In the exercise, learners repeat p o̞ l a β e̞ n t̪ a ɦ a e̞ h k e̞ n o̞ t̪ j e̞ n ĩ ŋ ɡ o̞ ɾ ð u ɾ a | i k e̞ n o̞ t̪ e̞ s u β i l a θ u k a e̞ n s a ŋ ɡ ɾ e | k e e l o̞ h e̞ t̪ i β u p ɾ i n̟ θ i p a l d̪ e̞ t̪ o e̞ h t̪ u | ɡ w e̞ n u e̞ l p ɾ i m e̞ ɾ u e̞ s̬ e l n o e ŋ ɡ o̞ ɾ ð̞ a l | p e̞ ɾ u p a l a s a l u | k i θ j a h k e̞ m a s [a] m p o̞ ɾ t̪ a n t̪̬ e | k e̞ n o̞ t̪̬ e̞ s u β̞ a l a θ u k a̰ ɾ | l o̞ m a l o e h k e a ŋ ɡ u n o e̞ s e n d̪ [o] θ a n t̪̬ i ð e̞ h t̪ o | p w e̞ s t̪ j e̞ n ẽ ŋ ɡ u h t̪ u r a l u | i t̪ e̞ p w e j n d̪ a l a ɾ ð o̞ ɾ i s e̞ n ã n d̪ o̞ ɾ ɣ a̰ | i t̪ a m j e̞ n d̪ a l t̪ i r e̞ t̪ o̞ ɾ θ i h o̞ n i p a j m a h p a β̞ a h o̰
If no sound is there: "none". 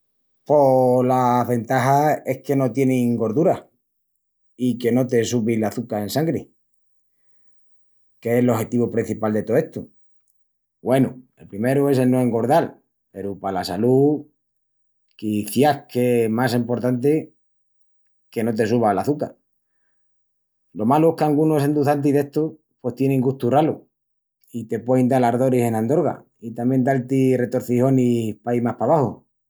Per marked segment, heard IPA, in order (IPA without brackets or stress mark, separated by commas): e, u